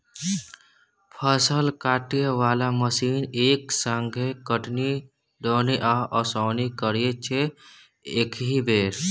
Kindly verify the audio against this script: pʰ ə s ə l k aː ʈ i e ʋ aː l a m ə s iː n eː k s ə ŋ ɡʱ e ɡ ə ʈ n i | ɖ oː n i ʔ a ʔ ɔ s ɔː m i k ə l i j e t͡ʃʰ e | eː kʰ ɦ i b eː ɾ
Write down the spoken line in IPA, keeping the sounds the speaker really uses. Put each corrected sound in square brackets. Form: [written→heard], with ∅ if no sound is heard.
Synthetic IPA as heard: pʰ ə s ə l k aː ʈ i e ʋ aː l a m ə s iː n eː k s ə ŋ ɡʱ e [ɡ→k] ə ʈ n i | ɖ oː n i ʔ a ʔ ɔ s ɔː [m→n] i k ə [l→ɾ] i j e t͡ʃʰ e | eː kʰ ɦ i b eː ɾ